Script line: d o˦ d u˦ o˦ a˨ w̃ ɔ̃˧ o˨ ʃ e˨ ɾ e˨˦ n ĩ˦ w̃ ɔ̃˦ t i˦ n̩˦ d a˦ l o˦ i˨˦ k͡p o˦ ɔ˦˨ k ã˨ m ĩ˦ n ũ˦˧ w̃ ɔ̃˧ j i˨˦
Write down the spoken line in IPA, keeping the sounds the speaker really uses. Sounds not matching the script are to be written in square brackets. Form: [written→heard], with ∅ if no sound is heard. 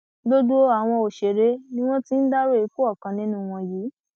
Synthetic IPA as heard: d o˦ d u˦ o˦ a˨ w̃ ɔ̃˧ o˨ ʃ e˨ ɾ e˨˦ n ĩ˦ w̃ ɔ̃˦ t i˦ n̩˦ d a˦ [l→ɾ] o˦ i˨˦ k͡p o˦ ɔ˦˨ k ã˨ [m→n] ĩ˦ n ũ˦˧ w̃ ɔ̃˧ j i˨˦